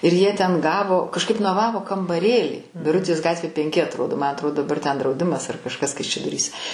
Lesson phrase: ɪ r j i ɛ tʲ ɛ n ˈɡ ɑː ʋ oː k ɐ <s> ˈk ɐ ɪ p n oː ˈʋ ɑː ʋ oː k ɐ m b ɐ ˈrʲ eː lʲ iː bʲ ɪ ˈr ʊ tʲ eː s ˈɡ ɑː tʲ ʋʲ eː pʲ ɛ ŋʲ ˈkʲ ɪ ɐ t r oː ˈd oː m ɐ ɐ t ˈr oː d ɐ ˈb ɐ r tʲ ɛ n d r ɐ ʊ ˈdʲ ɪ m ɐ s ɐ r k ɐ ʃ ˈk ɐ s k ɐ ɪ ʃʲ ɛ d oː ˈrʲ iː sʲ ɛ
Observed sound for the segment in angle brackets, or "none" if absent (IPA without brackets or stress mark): ʃ